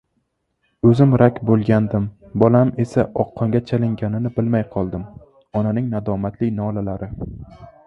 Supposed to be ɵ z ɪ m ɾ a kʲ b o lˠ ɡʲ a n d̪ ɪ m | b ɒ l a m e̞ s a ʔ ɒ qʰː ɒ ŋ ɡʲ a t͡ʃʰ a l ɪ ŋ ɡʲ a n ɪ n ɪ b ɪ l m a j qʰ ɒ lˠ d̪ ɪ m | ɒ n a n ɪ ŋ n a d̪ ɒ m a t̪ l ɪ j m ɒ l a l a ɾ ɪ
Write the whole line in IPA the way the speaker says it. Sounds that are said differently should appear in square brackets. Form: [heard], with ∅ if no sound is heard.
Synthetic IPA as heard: ɵ z ɪ m ɾ a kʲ b o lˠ ɡʲ a n d̪ ɪ m | b ɒ l a m e̞ s a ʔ ɒ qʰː ɒ ŋ ɡʲ a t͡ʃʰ a l ɪ ŋ ɡʲ a n ɪ n ɪ b ɪ l m a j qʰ ɒ lˠ d̪ ɪ m | ɒ n a n ɪ ŋ n a d̪ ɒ m a t̪ l ɪ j [n] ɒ l a l a ɾ ɪ